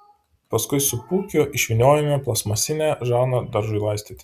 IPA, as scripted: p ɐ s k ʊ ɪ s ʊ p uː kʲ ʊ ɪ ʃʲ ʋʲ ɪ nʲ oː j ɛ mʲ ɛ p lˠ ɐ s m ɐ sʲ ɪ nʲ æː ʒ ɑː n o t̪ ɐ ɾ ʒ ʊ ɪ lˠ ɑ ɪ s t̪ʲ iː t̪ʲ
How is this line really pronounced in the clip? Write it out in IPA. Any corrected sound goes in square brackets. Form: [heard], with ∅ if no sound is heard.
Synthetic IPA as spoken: p ɐ s k ʊ ɪ s ʊ p uː kʲ ʊ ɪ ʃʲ ʋʲ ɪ nʲ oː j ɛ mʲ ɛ p lˠ ɐ s m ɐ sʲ ɪ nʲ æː ʒ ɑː n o [d̪] ɐ ɾ ʒ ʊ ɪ lˠ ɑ ɪ s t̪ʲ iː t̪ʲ